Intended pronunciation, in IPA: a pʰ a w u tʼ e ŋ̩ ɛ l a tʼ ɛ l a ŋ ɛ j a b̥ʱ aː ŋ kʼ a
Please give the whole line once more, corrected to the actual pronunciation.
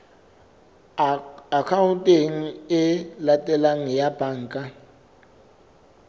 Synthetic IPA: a kʰ a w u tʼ e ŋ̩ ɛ l a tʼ ɛ l a ŋ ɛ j a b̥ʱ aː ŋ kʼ a